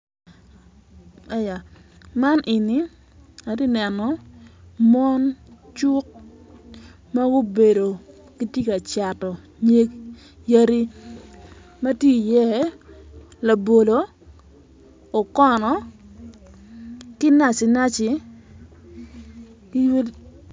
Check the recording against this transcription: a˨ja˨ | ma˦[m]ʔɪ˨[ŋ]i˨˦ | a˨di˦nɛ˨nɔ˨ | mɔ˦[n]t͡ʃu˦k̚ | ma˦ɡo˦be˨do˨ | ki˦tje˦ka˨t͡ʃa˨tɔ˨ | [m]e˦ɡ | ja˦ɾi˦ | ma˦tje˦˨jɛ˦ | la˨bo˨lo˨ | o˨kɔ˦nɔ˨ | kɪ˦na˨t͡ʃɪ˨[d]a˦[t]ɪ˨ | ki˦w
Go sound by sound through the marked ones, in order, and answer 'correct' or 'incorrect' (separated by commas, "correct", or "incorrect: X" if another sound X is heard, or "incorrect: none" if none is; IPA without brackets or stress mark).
incorrect: n, incorrect: n, correct, incorrect: ɲ, incorrect: n, incorrect: t͡ʃ